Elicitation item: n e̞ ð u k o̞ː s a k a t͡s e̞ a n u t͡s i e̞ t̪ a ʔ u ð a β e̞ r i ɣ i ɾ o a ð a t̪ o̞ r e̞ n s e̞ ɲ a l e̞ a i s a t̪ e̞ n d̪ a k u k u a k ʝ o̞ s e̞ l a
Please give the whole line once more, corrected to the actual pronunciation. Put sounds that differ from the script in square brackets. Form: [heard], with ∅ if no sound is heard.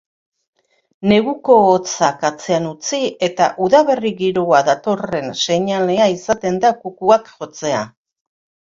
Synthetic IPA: n e̞ [ɣ] u k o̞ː [t͡s] a k a t͡s e̞ a n u t͡s i e̞ t̪ a ʔ u ð a β e̞ r i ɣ i ɾ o a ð a t̪ o̞ r e̞ n s e̞ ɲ a l e̞ a i s a t̪ e̞ n d̪ a k u k u a k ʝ o̞ [t͡s] e̞ [∅] a